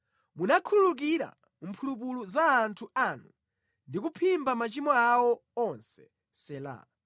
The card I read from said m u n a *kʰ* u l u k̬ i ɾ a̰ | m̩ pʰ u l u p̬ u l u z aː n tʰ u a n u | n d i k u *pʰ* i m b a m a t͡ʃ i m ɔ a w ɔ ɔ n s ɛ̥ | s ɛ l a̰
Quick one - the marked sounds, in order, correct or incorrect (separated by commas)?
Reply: correct, correct